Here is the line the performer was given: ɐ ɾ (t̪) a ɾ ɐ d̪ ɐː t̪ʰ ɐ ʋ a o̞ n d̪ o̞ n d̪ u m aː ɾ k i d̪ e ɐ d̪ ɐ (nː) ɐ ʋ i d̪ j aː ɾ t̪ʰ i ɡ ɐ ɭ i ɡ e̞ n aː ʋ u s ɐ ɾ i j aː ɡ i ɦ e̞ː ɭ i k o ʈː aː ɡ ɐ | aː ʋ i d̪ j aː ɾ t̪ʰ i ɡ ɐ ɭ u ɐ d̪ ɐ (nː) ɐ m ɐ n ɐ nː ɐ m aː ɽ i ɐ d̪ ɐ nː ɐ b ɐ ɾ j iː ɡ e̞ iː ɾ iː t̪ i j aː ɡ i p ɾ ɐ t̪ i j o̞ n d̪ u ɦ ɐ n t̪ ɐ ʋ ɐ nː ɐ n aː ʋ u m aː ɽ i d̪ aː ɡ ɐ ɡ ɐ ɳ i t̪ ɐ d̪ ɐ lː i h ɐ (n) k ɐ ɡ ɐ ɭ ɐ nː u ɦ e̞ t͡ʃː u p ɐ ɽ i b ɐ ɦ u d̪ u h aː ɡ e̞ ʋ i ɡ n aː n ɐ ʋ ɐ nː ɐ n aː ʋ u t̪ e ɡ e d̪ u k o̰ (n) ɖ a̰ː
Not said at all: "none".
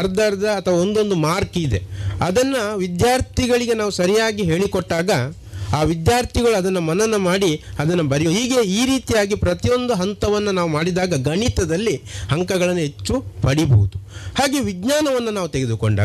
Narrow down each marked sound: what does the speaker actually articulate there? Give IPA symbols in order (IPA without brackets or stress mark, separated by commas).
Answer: d̪, nː, nː, ŋ, ɳ